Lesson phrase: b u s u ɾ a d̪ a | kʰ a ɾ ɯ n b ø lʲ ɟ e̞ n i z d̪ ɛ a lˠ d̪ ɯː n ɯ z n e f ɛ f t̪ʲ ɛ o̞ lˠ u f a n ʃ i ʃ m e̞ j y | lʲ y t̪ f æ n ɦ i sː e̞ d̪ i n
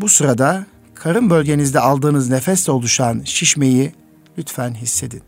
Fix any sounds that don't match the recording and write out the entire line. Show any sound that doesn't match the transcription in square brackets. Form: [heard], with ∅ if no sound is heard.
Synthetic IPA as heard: b u s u ɾ a d̪ a | kʰ a ɾ ɯ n b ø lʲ ɟ e̞ n i z d̪ ɛ a lˠ d̪ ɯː n ɯ z n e f ɛ [s] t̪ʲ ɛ o̞ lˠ u [ʃ] a n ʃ i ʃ m e̞ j [i] | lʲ y t̪ f æ n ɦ i sː e̞ d̪ i n